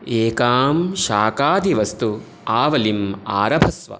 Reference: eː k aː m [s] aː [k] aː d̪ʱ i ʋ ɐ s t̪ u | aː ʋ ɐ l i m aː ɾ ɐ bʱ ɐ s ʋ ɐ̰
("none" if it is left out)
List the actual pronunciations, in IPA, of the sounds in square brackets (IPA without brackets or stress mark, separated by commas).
ʃ, k